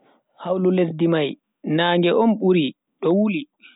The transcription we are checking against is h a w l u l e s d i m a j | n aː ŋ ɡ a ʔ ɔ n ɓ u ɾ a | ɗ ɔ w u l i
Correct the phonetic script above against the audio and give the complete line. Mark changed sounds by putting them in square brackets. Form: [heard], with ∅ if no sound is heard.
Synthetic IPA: h a w l u l e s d i m a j | n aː ŋ ɡ [ɛ] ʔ ɔ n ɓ u ɾ [i] | ɗ ɔ w u l i

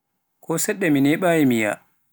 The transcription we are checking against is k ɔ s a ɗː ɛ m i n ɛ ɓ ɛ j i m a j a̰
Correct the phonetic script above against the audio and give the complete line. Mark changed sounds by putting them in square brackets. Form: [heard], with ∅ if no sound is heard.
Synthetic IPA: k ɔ s [ɛ] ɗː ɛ m i n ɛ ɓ [a] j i m [i] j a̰

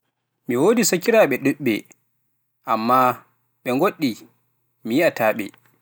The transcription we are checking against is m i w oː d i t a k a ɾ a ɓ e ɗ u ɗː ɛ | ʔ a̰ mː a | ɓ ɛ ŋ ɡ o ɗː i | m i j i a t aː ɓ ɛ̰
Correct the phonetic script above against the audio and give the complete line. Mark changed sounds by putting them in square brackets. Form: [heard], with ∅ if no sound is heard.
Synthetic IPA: m i w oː d i [s] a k [i] ɾ a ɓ [ɛ] ɗ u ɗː ɛ | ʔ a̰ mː a | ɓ ɛ ŋ ɡ o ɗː i | m i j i a t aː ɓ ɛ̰

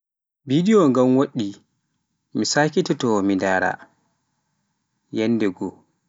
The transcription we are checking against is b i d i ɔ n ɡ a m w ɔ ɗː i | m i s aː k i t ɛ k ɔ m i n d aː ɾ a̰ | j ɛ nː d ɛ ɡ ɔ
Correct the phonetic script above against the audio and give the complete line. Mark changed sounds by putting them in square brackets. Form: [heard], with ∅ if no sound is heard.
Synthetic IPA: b i d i ɔ [ŋ] ɡ a m w [o] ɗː i | m i s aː k i t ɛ [t] ɔ m i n d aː ɾ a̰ | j ɛ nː d ɛ ɡ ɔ

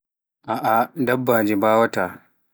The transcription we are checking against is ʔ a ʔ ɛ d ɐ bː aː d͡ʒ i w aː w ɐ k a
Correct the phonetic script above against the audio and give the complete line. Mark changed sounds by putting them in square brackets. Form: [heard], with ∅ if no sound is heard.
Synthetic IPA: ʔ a ʔ [a] d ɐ bː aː d͡ʒ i [b] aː w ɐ [t] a

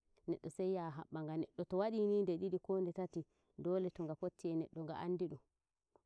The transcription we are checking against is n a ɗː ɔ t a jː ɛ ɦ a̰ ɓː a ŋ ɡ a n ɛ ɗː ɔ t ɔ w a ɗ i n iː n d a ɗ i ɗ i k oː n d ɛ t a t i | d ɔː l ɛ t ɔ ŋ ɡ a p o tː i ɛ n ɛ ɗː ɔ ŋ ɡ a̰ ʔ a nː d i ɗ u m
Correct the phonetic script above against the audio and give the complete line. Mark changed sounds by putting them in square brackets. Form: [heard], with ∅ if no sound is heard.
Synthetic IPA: n [ɛ] ɗː ɔ [s] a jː [a] ɦ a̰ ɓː a ŋ ɡ a n ɛ ɗː ɔ t ɔ w a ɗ i n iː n d [ɛ] ɗ i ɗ i k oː n d ɛ t a t i | d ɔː l ɛ t ɔ ŋ ɡ a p o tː i ɛ n ɛ ɗː ɔ ŋ ɡ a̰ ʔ a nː d i ɗ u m

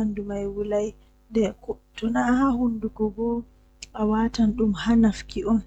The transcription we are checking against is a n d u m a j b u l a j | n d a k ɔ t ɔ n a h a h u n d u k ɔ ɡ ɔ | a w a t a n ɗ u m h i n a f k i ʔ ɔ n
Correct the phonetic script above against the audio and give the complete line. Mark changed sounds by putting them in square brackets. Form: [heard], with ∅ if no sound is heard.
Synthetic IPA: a n d u m a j [w] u l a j | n d [ɛ] k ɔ t ɔ n a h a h u n d u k ɔ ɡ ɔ | a w a t a n ɗ u m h [a] n a f k i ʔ ɔ n

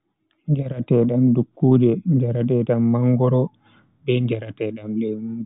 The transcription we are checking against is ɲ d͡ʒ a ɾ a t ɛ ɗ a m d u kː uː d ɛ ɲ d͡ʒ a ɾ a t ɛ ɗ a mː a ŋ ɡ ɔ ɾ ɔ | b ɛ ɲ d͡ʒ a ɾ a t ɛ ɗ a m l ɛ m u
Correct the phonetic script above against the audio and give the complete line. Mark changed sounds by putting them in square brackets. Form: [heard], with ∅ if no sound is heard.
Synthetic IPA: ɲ d͡ʒ a ɾ a t ɛ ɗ a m d u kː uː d ɛ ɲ d͡ʒ a ɾ a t ɛ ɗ a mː a ŋ ɡ ɔ ɾ ɔ | b ɛ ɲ d͡ʒ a ɾ a t ɛ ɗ a m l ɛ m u

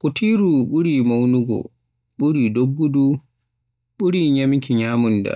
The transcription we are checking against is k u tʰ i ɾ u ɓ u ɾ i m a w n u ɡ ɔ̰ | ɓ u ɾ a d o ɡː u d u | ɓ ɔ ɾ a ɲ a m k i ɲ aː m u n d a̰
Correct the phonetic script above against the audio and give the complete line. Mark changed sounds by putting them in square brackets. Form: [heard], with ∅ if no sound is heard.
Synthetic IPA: k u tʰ i ɾ u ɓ u ɾ i m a w n u ɡ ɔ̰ | ɓ u ɾ [i] d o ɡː u d u | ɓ [u] ɾ [i] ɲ a m k i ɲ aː m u n d a̰

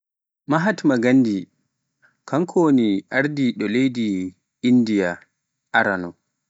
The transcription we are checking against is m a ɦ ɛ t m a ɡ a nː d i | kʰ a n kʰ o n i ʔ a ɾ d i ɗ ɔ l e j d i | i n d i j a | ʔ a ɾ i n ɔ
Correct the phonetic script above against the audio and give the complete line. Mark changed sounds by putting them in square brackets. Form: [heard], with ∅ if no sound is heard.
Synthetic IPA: m a ɦ [a] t m a ɡ a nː d i | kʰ a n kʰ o n i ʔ a ɾ d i ɗ ɔ l e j d i | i n d i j a | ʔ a ɾ [a] n ɔ

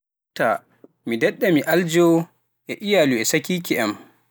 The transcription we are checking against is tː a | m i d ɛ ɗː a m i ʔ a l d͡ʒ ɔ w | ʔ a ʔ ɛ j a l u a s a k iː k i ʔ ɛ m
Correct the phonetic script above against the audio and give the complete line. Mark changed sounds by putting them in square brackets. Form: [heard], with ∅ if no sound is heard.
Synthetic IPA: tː a | m i d ɛ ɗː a m i ʔ a l d͡ʒ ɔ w | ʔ [ɛ] ʔ [i] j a l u [ɛ] s a k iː k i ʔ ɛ m

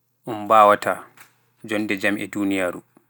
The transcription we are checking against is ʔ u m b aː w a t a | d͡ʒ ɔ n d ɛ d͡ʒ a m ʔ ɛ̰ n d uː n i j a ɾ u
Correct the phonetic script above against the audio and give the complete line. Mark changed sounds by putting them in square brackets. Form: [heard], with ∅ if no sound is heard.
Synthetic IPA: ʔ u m b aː w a t a | d͡ʒ ɔ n d ɛ d͡ʒ a m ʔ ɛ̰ [∅] d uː n i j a ɾ u

